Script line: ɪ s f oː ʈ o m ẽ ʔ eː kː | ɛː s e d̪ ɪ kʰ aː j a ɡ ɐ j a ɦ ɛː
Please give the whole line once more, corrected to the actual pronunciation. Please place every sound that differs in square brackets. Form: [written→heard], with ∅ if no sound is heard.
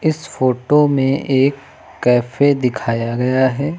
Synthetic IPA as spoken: ɪ s f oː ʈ o m ẽ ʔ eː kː | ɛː [s→f] e d̪ ɪ kʰ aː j a ɡ ɐ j a ɦ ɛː